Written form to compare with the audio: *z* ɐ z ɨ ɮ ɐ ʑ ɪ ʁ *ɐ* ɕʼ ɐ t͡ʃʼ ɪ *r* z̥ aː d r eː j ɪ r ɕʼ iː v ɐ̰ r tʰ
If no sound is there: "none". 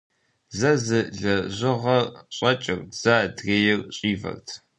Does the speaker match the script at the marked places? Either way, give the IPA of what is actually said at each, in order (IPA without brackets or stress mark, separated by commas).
z, ɐ, r